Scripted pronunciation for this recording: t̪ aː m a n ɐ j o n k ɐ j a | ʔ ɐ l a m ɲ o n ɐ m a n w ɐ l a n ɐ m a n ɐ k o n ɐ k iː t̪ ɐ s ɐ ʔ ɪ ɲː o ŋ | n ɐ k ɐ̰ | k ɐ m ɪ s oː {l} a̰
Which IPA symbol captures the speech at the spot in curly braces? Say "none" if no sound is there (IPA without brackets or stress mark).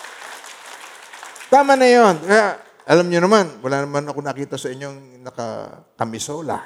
l